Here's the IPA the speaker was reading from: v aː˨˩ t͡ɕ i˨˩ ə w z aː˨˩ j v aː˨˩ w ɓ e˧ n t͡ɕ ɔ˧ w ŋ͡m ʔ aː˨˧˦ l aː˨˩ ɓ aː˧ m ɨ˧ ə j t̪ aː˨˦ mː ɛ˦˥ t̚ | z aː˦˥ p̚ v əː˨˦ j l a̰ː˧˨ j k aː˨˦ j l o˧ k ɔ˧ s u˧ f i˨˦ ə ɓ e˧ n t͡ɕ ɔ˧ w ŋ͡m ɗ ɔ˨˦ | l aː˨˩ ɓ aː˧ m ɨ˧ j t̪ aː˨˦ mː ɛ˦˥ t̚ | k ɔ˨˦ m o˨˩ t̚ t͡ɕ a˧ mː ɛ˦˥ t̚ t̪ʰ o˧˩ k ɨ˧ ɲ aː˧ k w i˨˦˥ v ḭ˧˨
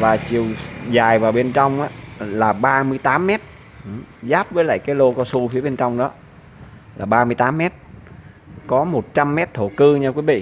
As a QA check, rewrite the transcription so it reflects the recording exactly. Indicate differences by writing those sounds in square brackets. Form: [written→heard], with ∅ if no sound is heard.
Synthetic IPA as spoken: v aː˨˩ t͡ɕ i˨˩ ə w z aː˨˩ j v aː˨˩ w ɓ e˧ n t͡ɕ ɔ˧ w ŋ͡m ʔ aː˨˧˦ l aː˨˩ ɓ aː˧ m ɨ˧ ə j t̪ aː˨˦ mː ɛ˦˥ t̚ | z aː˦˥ p̚ v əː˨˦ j l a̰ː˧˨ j k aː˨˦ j l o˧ k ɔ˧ s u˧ f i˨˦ ə ɓ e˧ n t͡ɕ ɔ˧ w ŋ͡m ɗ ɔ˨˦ | l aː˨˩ ɓ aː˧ m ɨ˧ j t̪ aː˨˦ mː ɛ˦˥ t̚ | k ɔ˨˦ m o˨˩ t̚ t͡ɕ a˧ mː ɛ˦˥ t̚ t̪ʰ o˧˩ k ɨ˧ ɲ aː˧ k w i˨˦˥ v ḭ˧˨

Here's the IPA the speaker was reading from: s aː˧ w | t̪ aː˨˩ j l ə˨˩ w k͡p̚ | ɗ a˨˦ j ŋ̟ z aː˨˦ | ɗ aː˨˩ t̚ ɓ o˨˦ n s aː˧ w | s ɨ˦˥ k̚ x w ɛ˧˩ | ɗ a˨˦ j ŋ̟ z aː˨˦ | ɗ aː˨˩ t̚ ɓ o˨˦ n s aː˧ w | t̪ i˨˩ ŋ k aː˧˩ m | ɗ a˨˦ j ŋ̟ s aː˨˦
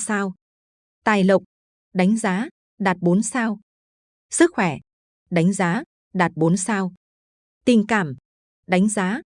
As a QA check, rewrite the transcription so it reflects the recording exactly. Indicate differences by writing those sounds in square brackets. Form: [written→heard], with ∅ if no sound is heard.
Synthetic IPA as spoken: s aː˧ w | t̪ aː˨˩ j l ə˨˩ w k͡p̚ | ɗ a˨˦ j ŋ̟ z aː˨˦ | ɗ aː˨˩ t̚ ɓ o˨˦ n s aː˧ w | s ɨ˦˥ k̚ x w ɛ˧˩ | ɗ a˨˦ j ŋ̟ z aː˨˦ | ɗ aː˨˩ t̚ ɓ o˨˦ n s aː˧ w | t̪ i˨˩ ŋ k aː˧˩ m | ɗ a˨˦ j ŋ̟ [s→z] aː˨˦

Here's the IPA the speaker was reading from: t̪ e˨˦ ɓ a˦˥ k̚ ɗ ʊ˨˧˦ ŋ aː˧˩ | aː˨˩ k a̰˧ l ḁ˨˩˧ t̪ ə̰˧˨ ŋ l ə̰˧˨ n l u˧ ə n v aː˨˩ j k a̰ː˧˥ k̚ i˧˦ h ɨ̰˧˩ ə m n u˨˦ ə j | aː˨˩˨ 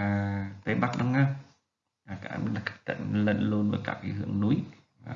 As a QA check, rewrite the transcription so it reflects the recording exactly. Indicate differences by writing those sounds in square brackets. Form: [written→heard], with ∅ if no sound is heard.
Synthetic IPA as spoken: t̪ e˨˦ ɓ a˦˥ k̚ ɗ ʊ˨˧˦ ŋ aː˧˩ | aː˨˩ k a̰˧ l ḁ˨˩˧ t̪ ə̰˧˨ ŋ l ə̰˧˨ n l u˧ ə n v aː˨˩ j k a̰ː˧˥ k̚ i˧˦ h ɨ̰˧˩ ə [m→ŋ] n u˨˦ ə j | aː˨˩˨

